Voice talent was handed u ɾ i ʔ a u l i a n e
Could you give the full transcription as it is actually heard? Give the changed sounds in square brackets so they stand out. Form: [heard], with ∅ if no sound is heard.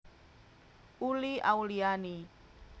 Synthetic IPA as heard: u [l] i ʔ a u l i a n [i]

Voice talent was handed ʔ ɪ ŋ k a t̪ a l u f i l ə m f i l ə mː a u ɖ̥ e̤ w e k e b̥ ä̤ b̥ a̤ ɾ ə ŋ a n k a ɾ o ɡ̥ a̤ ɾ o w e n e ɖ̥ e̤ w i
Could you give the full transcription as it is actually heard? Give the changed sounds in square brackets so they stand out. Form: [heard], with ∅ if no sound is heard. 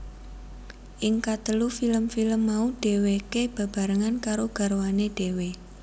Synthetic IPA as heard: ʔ ɪ ŋ k a t̪ [ə] l u f i l ə m f i l ə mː a u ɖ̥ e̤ w e k e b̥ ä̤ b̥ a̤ ɾ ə ŋ a n k a ɾ o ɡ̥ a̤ ɾ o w [a] n e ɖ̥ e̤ w [e]

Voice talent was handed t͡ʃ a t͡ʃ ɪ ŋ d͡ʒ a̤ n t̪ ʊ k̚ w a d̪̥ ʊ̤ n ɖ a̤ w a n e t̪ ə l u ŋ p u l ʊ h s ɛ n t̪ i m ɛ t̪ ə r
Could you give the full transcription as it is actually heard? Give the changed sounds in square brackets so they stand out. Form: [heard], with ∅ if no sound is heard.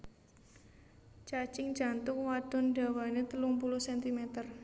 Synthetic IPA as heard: t͡ʃ a t͡ʃ ɪ ŋ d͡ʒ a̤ n t̪ ʊ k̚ w a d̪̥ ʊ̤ n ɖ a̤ w a n e t̪ ə l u ŋ p u l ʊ h s ɛ n t̪ i m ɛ t̪ ə r

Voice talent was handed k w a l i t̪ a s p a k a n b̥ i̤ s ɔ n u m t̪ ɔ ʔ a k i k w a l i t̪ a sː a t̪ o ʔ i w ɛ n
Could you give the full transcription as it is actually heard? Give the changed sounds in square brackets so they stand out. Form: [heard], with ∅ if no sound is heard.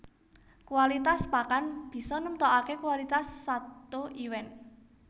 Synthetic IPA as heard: k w a l i t̪ a s p a k a n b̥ i̤ s ɔ n u m t̪ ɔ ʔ a k [e] k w a l i t̪ a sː a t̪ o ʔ i w ɛ n

